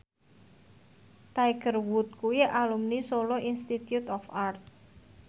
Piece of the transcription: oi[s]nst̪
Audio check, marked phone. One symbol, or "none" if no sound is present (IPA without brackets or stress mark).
none